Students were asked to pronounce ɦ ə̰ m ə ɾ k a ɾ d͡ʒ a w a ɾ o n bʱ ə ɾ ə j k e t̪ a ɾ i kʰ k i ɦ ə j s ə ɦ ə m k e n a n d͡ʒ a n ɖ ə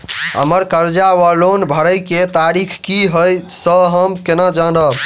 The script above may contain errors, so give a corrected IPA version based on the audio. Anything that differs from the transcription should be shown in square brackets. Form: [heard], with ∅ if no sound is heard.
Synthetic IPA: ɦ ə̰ m ə ɾ k [ə] ɾ d͡ʒ a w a [l] o n bʱ ə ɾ ə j k e t̪ a ɾ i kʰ k i ɦ ə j s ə ɦ ə m k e n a [∅] d͡ʒ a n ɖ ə